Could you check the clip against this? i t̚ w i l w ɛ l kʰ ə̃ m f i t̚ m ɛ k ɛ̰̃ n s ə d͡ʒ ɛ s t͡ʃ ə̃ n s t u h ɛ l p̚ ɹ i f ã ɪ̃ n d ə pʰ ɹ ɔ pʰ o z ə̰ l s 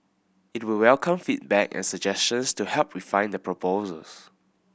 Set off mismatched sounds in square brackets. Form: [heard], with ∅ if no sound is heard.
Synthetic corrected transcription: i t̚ w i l w ɛ l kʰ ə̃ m f i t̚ [b] ɛ k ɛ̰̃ n s ə d͡ʒ ɛ s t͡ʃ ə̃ n s t u h ɛ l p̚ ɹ i f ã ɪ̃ n d ə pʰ ɹ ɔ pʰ o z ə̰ l s